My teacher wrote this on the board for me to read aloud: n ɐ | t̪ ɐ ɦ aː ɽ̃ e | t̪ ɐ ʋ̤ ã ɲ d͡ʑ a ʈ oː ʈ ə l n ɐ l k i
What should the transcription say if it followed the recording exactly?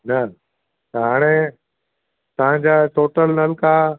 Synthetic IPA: n ɐ | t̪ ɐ ɦ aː ɽ̃ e | t̪ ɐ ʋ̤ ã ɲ d͡ʑ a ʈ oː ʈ ə l n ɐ l k a